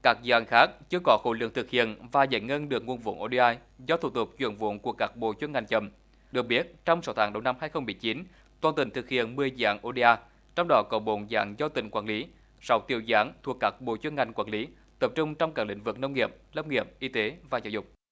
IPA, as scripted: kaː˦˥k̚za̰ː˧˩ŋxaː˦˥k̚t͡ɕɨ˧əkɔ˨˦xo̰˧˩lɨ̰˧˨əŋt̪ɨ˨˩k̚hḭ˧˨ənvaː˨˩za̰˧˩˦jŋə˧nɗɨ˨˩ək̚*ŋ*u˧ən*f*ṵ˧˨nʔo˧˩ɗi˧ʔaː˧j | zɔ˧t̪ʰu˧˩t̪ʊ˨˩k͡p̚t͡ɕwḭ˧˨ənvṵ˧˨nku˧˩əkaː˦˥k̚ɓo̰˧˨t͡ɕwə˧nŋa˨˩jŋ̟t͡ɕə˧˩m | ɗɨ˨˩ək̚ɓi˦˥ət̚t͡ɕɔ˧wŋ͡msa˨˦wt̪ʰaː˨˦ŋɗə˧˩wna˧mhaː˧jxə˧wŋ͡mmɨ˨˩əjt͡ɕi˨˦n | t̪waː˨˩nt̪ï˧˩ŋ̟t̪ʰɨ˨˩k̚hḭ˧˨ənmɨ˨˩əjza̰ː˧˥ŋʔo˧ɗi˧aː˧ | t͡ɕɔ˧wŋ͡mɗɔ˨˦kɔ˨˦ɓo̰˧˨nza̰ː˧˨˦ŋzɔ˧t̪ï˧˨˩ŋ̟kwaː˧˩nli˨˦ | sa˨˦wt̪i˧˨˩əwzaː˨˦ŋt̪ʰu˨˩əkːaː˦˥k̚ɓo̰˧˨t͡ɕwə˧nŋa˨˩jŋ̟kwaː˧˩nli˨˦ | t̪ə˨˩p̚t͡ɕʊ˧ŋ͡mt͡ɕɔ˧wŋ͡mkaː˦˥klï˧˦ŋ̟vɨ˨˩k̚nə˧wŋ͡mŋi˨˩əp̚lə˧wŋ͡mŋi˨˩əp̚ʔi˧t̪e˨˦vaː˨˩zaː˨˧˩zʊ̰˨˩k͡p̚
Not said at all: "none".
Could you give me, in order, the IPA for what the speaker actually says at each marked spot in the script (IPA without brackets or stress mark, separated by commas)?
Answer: ŋ, v